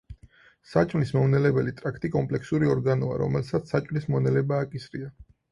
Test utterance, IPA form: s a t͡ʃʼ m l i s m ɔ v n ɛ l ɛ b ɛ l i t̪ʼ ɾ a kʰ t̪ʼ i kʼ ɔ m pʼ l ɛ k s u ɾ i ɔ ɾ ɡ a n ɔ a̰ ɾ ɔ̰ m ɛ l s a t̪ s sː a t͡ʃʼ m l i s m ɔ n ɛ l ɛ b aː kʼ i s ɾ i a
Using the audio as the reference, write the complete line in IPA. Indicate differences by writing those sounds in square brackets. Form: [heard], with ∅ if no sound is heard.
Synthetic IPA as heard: s a t͡ʃʼ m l i s m ɔ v n ɛ l ɛ b ɛ l i t̪ʼ ɾ a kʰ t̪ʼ i kʼ ɔ m pʼ l ɛ k s u ɾ i ɔ ɾ ɡ a n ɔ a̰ ɾ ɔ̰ m ɛ l s a t̪ s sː a t͡ʃʼ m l i s m ɔ n ɛ l ɛ b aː kʼ i s ɾ i a

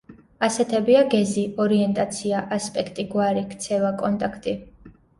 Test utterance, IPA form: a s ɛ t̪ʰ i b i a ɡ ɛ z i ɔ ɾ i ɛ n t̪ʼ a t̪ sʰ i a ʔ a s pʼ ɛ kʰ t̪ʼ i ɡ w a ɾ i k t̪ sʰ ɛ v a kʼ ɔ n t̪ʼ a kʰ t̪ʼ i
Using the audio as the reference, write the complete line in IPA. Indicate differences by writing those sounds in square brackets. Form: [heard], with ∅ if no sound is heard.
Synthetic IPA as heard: a s ɛ t̪ʰ [ɛ] b i a ɡ ɛ z i ɔ ɾ i ɛ n t̪ʼ a t̪ sʰ i a ʔ a s pʼ ɛ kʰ t̪ʼ i ɡ w a ɾ i k t̪ sʰ ɛ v a kʼ ɔ n t̪ʼ a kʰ t̪ʼ i

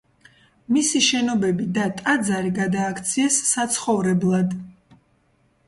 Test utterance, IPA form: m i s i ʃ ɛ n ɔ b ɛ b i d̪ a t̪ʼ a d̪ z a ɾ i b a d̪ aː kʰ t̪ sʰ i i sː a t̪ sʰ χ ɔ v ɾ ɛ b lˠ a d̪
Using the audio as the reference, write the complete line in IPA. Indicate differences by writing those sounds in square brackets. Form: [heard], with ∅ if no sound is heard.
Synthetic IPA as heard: m i s i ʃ ɛ n ɔ b ɛ b i d̪ a t̪ʼ a d̪ z a ɾ i [ɡ] a d̪ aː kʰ t̪ sʰ i [ɛ] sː a t̪ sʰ χ ɔ v ɾ ɛ b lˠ a d̪

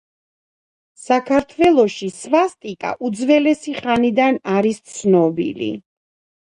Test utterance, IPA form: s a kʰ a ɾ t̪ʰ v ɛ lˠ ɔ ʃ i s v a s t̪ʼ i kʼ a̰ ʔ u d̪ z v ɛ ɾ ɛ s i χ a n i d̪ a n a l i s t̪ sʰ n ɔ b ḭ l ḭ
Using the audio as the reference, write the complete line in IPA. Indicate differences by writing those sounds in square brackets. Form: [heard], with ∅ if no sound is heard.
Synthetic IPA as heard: s a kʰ a ɾ t̪ʰ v ɛ lˠ ɔ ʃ i s v a s t̪ʼ i kʼ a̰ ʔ u d̪ z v ɛ [l] ɛ s i χ a n i d̪ a n a [ɾ] i s t̪ sʰ n ɔ b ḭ l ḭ

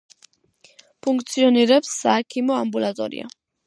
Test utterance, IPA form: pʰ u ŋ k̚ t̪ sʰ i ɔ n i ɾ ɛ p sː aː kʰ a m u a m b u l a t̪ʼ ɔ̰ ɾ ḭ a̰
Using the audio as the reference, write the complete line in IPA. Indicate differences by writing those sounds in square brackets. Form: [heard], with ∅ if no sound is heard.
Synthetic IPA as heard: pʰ u ŋ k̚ t̪ sʰ i ɔ n i ɾ ɛ p sː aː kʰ [i] m [ɔ] a m b u l a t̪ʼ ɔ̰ ɾ ḭ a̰

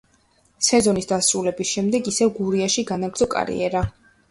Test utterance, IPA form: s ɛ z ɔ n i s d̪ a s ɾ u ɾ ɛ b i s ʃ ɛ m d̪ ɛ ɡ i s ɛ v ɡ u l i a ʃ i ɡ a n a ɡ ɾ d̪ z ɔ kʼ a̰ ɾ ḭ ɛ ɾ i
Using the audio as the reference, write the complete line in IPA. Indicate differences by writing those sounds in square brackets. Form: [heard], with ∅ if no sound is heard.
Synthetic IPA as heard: s ɛ z ɔ n i s d̪ a s ɾ u [l] ɛ b i s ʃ ɛ m d̪ ɛ ɡ i s ɛ v ɡ u [ɾ] i a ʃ i ɡ a n a ɡ ɾ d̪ z ɔ kʼ a̰ ɾ ḭ ɛ ɾ [a]

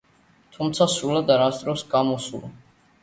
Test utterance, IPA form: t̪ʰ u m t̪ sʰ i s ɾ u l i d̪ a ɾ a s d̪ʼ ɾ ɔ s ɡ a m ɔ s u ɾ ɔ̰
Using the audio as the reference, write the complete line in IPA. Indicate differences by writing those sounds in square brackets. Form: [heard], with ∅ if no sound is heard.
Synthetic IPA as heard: t̪ʰ u m t̪ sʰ [a] s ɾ u l [a] d̪ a ɾ a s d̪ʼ ɾ ɔ s ɡ a m ɔ s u [l] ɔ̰

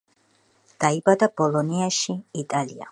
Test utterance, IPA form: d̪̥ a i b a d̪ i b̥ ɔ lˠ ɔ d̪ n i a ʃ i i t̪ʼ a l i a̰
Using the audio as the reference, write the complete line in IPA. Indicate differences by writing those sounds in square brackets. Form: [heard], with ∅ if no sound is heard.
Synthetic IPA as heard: d̪̥ a i b a d̪ [a] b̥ ɔ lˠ ɔ [∅] n i a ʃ i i t̪ʼ a l i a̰

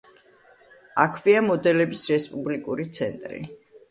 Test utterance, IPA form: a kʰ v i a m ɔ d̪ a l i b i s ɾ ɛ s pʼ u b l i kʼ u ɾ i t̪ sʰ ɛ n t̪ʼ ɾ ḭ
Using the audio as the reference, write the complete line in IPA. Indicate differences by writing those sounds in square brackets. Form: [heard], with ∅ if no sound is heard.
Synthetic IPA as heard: a kʰ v i a m ɔ d̪ [ɛ] l [ɛ] b i s ɾ ɛ s pʼ u b l i kʼ u ɾ i t̪ sʰ ɛ n t̪ʼ ɾ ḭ

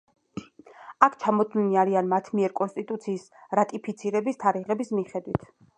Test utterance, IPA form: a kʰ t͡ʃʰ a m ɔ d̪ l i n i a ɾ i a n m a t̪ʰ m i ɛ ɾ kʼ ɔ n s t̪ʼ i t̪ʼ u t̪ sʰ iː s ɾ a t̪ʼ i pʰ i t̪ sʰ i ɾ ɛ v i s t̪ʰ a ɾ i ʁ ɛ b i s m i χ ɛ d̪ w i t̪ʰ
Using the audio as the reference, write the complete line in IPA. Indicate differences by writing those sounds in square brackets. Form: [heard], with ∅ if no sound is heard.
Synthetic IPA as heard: a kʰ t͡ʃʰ a m ɔ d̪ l i n i a ɾ i a n m a t̪ʰ m i ɛ ɾ kʼ ɔ n s t̪ʼ i t̪ʼ u t̪ sʰ iː s ɾ a t̪ʼ i pʰ i t̪ sʰ i ɾ ɛ [b] i s t̪ʰ a ɾ i ʁ ɛ b i s m i χ ɛ d̪ w i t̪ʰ

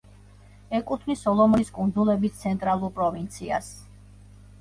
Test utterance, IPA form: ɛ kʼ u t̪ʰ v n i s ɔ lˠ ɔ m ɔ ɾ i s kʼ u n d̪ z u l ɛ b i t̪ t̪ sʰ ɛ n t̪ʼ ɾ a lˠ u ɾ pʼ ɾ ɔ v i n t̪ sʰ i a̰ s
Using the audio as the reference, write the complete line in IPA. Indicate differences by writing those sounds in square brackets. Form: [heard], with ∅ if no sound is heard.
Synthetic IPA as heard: ɛ kʼ u t̪ʰ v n i s ɔ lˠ ɔ m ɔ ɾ i s kʼ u n d̪ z u l ɛ b i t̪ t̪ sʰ ɛ n t̪ʼ ɾ a lˠ u ɾ pʼ ɾ ɔ v i n t̪ sʰ i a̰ s

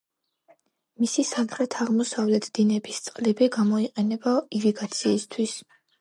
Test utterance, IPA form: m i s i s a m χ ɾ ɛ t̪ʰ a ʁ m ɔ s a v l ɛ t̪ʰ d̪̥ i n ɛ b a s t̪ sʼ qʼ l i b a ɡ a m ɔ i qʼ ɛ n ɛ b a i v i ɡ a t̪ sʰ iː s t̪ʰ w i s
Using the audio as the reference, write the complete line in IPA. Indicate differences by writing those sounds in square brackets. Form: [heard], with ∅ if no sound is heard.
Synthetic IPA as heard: m i s i s a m χ ɾ ɛ t̪ʰ a ʁ m ɔ s a v l ɛ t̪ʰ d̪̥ i n ɛ b [i] s t̪ sʼ qʼ l i b [i] ɡ a m ɔ i qʼ ɛ n ɛ b a i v i ɡ a t̪ sʰ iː s t̪ʰ w i s

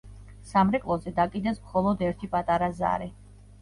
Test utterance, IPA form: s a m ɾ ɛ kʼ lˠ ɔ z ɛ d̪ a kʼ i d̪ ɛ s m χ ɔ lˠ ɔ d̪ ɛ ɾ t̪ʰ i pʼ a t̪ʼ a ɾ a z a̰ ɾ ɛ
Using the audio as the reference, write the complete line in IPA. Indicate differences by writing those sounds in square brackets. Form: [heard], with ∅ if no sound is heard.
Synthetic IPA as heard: s a m ɾ ɛ kʼ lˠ ɔ z ɛ d̪ a kʼ i d̪ ɛ s m χ ɔ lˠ ɔ d̪ ɛ ɾ t̪ʰ i pʼ a t̪ʼ a ɾ a z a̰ ɾ ɛ

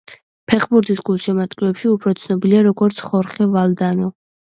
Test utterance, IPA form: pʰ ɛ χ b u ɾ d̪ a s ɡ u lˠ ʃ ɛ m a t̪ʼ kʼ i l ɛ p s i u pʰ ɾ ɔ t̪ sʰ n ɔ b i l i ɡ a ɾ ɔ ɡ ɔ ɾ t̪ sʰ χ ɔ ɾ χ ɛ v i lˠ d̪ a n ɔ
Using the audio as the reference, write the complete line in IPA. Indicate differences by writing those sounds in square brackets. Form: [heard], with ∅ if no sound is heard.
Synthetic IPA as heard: pʰ ɛ χ b u ɾ d̪ [i] s ɡ u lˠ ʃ ɛ m a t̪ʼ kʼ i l ɛ p [ʃ] i u pʰ ɾ ɔ t̪ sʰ n ɔ b i l i [∅] a ɾ ɔ ɡ ɔ ɾ t̪ sʰ χ ɔ ɾ χ ɛ v [a] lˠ d̪ a n ɔ

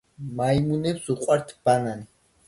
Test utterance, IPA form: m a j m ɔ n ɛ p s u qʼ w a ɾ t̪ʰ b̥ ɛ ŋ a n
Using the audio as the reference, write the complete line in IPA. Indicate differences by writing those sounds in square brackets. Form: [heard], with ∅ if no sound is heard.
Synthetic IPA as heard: m a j m [u] n ɛ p s u qʼ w a ɾ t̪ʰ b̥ [a] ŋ a n

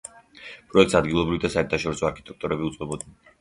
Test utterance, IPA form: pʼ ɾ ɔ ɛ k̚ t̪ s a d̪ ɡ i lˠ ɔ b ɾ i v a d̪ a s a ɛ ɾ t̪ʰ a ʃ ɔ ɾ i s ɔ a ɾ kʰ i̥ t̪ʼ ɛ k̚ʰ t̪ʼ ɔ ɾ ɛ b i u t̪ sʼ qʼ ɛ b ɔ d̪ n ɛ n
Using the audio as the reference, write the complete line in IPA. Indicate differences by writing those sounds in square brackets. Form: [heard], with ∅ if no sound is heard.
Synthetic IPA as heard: pʼ ɾ ɔ ɛ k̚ t̪ s a d̪ ɡ i lˠ ɔ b ɾ i v [i] d̪ a s a ɛ ɾ t̪ʰ a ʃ ɔ ɾ i s ɔ a ɾ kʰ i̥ t̪ʼ ɛ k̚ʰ t̪ʼ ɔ ɾ ɛ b i u t̪ sʼ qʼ ɛ b ɔ d̪ n ɛ n

